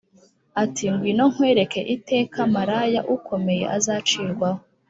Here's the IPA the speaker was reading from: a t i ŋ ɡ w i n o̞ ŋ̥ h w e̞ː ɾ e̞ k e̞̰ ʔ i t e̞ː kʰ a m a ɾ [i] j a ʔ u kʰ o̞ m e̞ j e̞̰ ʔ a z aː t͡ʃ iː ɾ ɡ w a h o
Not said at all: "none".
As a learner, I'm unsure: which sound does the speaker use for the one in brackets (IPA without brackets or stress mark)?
a